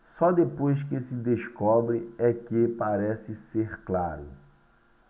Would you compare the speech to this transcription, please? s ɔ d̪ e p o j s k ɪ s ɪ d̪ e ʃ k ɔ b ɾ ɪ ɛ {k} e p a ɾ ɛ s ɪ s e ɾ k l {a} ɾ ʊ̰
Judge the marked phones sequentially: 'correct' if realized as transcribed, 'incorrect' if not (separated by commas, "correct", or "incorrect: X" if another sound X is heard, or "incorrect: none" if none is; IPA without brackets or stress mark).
correct, correct